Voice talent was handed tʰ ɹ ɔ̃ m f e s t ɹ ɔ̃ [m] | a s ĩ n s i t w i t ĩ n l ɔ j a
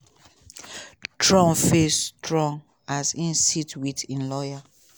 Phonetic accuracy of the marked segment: incorrect: ŋ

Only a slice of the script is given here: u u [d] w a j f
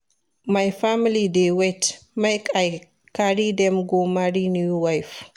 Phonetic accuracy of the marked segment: incorrect: none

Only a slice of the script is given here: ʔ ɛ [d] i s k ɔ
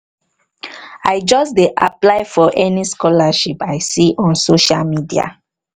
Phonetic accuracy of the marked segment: incorrect: n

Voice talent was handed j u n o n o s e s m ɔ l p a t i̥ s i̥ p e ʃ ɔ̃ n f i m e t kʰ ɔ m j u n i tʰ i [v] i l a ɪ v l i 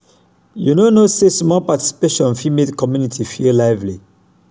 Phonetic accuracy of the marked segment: incorrect: f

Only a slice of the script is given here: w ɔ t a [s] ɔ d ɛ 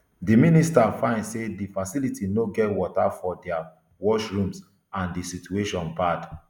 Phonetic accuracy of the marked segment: incorrect: f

